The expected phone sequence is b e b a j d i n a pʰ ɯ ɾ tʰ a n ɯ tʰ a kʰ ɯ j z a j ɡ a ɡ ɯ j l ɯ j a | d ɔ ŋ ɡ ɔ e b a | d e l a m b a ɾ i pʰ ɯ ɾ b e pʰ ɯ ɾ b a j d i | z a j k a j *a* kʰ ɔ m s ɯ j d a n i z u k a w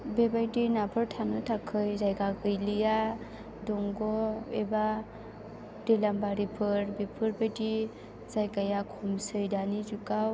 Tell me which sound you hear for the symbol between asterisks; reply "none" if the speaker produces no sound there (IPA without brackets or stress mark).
a